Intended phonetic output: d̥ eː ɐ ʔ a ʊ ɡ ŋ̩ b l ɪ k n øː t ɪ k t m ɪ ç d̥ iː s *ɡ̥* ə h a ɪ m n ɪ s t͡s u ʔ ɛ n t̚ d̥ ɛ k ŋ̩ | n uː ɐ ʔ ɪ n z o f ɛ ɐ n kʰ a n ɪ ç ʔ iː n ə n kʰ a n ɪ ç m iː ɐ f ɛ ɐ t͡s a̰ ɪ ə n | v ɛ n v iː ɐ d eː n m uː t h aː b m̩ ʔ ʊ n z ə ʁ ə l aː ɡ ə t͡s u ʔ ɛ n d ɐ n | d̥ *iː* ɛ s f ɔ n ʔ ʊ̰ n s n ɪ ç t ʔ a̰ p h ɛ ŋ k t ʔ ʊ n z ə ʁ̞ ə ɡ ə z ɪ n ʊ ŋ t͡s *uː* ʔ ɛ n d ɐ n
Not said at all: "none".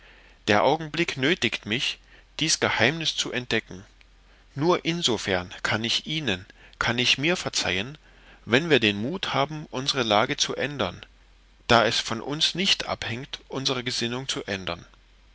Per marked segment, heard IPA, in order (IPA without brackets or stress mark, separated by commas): ɡ̥, aː, u